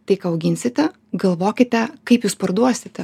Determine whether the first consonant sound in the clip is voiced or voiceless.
voiceless